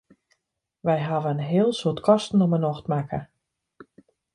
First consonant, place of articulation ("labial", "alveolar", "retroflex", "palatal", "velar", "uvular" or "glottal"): labial